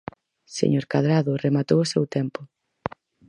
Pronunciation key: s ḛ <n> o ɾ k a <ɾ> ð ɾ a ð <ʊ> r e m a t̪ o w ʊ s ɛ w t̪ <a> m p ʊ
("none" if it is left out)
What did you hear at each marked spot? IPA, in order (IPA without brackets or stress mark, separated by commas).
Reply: ɲ, none, ʊ, ɛ